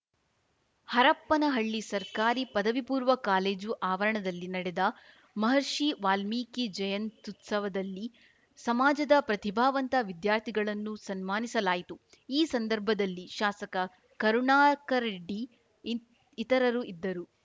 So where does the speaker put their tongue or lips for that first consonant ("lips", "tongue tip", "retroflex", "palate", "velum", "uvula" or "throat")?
throat